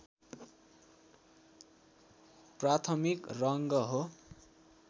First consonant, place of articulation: labial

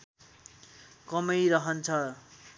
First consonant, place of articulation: velar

